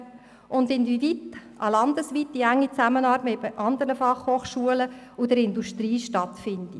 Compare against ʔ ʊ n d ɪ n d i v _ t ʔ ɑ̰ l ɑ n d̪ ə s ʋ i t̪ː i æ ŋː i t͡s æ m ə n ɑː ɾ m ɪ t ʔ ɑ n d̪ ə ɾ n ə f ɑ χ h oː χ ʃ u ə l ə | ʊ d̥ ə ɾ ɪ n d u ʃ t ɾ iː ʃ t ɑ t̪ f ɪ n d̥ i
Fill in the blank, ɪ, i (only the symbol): i